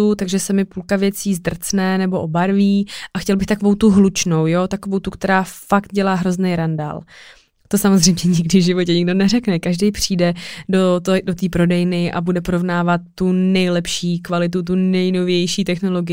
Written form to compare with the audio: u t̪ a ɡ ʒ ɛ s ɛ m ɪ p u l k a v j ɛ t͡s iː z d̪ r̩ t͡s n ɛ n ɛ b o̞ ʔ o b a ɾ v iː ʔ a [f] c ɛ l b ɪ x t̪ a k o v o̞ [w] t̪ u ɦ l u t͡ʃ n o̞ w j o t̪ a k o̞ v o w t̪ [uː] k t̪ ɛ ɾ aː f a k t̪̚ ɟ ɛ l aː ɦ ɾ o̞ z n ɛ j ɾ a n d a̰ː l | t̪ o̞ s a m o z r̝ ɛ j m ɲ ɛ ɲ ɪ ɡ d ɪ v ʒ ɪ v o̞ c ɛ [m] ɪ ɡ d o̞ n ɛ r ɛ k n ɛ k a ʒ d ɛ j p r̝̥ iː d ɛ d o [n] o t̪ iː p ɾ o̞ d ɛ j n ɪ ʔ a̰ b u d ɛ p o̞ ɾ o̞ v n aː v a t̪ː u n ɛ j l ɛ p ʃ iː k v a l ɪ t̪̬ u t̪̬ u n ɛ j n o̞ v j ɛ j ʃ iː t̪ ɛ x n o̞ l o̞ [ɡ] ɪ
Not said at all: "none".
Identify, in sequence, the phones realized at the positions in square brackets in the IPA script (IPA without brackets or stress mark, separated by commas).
x, w, u, ɲ, d, ɡ